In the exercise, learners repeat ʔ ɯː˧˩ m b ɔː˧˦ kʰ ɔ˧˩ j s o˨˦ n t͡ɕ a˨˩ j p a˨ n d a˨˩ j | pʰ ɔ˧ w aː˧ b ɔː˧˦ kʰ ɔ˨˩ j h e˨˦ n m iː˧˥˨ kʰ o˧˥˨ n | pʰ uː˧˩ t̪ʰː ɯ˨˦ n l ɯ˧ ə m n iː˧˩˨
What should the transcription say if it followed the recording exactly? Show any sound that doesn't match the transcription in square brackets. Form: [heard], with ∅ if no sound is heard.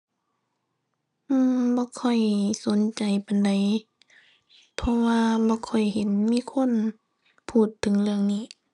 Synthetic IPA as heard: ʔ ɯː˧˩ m b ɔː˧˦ kʰ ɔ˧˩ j s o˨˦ n t͡ɕ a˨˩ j p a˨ n d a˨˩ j | pʰ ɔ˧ w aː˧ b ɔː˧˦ kʰ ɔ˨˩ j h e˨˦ n m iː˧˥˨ kʰ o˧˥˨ n | pʰ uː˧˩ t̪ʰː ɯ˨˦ [ŋ] l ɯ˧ ə [ŋ] n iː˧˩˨